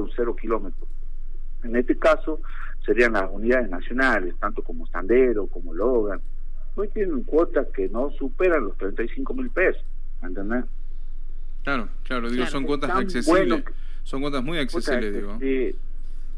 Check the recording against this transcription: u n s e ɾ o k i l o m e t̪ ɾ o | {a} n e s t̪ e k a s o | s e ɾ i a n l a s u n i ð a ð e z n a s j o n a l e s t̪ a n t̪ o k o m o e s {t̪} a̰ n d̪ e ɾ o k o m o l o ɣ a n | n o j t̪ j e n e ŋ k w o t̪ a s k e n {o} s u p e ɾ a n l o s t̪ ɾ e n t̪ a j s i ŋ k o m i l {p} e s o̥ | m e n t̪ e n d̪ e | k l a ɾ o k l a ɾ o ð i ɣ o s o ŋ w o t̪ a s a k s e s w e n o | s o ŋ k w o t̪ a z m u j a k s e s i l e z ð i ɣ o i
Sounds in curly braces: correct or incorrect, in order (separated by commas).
incorrect, correct, correct, correct